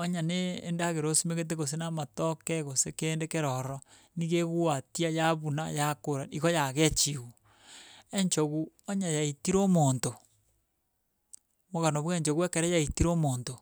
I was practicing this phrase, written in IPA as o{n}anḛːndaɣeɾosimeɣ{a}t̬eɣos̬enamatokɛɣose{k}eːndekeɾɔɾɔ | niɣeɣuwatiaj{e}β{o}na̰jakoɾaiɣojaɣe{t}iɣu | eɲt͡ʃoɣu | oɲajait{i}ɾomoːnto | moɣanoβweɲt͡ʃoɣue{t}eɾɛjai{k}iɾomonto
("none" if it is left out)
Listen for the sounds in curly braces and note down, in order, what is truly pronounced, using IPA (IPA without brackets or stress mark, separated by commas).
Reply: ɲ, e, k, a, u, t͡ʃ, i, k, t